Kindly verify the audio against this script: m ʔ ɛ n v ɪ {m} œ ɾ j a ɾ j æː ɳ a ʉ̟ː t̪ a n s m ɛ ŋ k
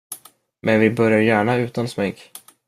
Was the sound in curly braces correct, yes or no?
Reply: no